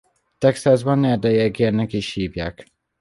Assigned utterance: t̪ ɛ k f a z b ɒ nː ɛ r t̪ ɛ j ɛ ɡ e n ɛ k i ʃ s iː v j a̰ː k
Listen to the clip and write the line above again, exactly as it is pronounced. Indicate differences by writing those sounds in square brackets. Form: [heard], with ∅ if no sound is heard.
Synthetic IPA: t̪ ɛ k [s] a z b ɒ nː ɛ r [d̪] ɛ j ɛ ɡ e n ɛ k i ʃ [h] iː v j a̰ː k